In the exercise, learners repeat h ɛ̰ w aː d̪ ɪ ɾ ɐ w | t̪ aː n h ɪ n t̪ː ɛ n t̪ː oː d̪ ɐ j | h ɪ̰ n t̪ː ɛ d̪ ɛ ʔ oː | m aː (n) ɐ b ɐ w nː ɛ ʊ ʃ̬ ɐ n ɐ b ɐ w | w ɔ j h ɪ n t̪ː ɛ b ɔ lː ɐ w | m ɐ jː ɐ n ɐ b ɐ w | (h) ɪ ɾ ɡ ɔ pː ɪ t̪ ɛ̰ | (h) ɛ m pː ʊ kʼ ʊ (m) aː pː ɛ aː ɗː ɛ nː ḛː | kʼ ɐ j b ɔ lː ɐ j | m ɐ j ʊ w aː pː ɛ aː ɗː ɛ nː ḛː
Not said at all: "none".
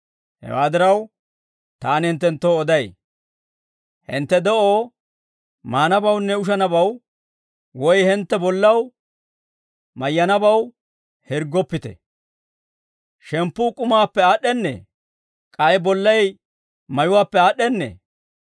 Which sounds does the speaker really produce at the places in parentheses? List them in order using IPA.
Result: n, h, ʃ, m

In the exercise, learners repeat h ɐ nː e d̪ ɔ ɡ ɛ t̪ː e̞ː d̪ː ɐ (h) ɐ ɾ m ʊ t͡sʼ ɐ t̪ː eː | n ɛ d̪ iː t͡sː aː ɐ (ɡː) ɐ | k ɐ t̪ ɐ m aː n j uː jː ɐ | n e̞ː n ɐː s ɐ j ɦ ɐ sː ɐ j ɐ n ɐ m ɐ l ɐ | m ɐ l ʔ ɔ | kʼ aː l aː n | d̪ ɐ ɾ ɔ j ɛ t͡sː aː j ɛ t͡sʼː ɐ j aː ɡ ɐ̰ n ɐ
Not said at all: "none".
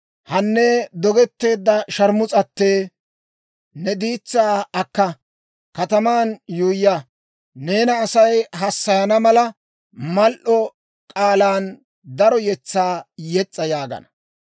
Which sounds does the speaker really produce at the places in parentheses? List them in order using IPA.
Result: ʃ, kː

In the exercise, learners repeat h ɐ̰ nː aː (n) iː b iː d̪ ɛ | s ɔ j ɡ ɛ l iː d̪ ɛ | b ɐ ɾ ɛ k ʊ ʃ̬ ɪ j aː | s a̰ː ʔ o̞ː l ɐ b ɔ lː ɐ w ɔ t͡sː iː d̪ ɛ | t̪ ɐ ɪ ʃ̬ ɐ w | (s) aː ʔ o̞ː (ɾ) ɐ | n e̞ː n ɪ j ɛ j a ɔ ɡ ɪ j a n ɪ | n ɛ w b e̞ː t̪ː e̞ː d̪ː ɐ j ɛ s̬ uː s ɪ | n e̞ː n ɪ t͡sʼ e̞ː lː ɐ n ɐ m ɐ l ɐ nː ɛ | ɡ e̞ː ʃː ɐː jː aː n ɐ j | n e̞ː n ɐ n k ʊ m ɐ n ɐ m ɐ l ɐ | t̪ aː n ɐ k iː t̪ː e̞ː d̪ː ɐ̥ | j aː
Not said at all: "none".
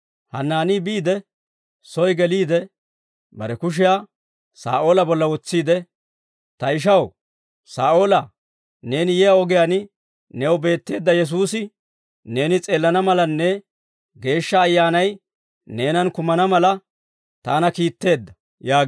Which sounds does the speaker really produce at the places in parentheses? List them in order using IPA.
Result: n, s, l

